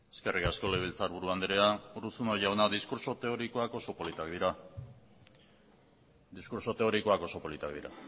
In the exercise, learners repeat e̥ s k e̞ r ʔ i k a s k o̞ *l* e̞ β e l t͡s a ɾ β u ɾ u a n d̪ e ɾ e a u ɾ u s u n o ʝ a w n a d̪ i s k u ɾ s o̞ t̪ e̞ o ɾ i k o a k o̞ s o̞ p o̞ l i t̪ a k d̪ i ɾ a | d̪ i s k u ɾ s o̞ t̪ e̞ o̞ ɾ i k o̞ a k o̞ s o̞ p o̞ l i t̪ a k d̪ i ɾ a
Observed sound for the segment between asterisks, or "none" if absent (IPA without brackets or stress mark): l